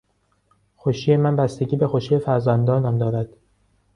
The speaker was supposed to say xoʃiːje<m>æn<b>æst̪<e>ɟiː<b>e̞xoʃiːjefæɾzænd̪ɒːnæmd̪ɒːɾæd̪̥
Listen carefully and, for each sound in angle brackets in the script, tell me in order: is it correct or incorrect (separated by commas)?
correct, correct, correct, correct